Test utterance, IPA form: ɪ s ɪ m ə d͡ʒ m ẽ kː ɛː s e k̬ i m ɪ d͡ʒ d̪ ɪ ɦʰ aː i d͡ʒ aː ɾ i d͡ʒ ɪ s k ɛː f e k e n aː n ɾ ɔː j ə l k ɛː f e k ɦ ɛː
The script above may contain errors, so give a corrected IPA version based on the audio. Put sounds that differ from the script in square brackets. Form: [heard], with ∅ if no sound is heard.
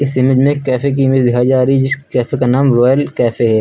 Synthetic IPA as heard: ɪ s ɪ m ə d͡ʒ m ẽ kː ɛː [f] e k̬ i m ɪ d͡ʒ d̪ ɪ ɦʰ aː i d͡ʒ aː ɾ i d͡ʒ ɪ s k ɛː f e k [a] n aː [m] ɾ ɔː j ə l k ɛː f e [∅] ɦ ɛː